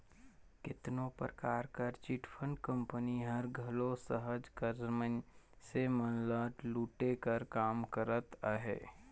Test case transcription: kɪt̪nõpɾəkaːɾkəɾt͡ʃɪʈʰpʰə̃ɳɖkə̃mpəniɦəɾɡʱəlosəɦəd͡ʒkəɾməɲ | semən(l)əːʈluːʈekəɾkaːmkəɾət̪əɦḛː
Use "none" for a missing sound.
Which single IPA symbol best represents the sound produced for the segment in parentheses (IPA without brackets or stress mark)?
l